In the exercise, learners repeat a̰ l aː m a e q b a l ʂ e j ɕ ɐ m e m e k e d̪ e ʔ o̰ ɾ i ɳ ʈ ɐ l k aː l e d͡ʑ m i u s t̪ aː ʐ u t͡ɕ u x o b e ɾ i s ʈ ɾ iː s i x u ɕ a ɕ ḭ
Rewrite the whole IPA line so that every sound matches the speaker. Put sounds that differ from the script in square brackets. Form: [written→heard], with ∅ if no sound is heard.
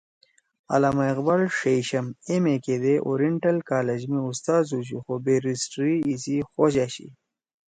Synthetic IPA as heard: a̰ l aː m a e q b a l ʂ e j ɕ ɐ m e m e k e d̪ e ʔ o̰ ɾ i ɳ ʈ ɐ l k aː l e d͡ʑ m i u s t̪ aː [ʐ→z] u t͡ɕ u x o b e ɾ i s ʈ ɾ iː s i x [u→o] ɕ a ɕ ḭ